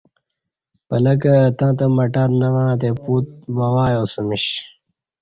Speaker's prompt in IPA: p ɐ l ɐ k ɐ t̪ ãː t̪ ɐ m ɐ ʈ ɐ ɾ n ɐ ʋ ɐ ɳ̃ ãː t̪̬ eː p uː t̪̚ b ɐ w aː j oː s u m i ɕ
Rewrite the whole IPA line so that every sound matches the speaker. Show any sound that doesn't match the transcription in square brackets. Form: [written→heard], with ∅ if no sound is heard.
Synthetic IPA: p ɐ l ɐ k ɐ t̪ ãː t̪ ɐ m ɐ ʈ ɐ ɾ n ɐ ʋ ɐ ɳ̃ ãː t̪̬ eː p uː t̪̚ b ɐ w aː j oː s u m i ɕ